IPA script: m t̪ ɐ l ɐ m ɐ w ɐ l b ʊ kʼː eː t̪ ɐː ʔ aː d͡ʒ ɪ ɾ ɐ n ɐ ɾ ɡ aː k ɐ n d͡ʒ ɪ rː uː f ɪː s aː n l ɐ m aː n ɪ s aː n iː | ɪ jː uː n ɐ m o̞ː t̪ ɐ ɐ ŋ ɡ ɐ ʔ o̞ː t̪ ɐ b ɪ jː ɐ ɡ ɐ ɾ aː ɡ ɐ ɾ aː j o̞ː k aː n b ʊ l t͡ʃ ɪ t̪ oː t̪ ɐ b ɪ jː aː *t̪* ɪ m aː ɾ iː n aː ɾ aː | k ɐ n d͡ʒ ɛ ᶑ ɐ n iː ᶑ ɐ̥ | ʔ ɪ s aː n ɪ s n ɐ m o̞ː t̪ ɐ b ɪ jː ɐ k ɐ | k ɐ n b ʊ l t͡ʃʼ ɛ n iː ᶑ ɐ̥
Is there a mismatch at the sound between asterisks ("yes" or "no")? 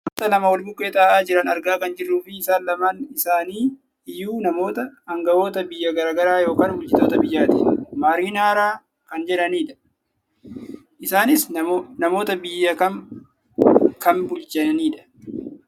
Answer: no